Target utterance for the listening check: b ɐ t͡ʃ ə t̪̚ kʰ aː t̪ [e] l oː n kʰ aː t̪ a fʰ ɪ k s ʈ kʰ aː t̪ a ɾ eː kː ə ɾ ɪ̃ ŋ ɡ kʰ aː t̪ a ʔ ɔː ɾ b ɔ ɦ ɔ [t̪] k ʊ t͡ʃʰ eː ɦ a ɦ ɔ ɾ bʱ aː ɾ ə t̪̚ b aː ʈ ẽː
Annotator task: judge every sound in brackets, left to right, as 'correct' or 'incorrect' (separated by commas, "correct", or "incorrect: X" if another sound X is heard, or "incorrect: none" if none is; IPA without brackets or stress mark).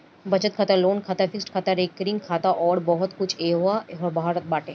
incorrect: a, correct